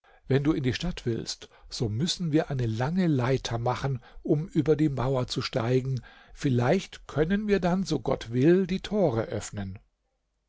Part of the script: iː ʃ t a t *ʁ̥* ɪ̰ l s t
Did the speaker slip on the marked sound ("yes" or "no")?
yes